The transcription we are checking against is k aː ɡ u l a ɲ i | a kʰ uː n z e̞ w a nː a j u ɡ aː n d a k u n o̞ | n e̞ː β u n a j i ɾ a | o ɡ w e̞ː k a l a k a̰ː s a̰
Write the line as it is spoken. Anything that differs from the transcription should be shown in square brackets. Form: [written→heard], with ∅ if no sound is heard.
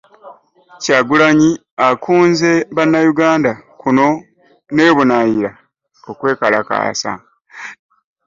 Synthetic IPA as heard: [k→c] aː ɡ u l a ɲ i | a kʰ uː n z e̞ [w→β] a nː a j u ɡ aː n d a k u n o̞ | n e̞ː β u n a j i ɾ a | o [ɡ→k] w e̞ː k a l a k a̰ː s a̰